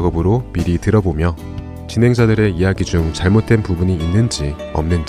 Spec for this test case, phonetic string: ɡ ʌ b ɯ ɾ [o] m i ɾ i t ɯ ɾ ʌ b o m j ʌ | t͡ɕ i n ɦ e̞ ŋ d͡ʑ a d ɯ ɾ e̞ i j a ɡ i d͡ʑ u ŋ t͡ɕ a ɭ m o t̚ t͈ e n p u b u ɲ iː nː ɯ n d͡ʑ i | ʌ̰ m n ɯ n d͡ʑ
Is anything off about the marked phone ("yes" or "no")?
no